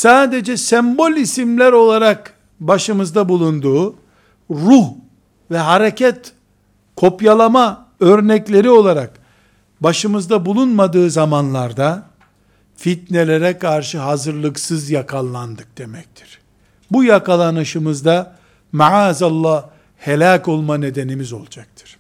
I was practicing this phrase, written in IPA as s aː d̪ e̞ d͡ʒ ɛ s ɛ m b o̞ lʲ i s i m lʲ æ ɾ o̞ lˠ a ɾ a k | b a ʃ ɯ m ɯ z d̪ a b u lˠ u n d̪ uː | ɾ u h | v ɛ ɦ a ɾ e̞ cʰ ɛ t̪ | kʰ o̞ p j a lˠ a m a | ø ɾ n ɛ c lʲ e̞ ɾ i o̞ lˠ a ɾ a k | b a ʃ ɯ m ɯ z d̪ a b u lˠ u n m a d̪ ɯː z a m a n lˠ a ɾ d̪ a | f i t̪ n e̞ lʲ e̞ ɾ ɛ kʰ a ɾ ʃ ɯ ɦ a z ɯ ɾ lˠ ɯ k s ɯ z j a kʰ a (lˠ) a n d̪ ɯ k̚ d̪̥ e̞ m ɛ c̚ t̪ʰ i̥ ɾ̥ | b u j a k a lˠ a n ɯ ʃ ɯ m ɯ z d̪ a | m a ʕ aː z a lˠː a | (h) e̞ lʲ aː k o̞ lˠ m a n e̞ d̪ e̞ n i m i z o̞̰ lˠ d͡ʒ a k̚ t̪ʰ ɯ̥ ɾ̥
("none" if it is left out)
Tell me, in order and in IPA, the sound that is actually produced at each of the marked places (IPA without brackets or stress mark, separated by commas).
lˠː, h